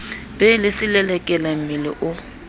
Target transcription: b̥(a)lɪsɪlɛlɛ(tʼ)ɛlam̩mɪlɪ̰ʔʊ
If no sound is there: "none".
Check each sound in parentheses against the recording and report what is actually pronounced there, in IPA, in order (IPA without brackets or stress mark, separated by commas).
ɛ, kʼ